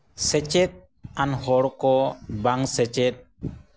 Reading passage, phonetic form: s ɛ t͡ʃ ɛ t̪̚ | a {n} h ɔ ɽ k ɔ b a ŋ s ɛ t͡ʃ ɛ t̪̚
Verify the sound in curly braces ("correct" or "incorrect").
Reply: correct